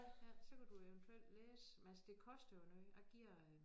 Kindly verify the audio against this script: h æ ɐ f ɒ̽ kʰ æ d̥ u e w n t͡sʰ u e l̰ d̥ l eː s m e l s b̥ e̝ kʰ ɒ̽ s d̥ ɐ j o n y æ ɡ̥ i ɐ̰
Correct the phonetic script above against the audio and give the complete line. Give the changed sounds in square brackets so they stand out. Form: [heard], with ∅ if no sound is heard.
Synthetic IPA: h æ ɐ [s] ɒ̽ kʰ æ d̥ u e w n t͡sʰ u e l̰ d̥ l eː s m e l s [d̥] e̝ kʰ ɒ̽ s d̥ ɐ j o n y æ ɡ̥ i ɐ̰